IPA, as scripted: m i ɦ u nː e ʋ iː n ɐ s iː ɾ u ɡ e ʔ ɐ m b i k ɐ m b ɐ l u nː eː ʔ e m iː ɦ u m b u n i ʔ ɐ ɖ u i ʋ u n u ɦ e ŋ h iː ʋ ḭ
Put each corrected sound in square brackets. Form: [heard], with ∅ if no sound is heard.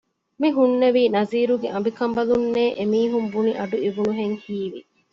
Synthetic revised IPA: m i ɦ u nː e ʋ iː n ɐ [z] iː ɾ u ɡ e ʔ ɐ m b i k ɐ m b ɐ l u nː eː ʔ e m iː ɦ u m b u n i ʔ ɐ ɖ u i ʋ u n u ɦ e ŋ h iː ʋ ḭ